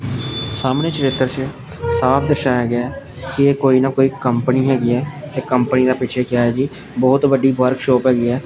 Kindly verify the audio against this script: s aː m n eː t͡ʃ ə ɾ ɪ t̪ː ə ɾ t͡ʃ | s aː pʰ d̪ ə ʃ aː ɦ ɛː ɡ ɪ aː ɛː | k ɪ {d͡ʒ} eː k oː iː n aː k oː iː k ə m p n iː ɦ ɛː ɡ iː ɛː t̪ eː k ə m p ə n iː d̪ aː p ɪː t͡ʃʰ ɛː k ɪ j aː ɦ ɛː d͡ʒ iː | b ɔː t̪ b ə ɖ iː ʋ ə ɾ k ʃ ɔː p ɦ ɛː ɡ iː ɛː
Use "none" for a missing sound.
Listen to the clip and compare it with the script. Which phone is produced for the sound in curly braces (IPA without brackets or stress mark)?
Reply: none